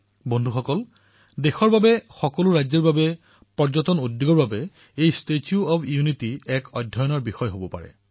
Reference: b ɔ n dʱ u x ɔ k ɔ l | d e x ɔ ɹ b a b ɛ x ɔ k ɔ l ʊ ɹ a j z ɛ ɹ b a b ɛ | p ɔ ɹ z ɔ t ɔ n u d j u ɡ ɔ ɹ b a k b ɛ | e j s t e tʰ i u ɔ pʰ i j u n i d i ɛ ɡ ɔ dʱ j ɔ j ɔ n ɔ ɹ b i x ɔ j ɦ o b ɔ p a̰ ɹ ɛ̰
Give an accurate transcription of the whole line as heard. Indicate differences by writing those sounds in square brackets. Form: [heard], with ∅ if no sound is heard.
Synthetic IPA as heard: b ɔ n dʱ u x ɔ k ɔ l | d e x ɔ ɹ b a b ɛ x ɔ k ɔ l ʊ ɹ a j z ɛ ɹ b a b ɛ | p ɔ ɹ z ɔ t ɔ n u d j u ɡ ɔ ɹ b a [∅] b ɛ | e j s t e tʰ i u ɔ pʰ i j u n i [t] i ɛ [k] ɔ dʱ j ɔ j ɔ n ɔ ɹ b i x ɔ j ɦ o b ɔ p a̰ ɹ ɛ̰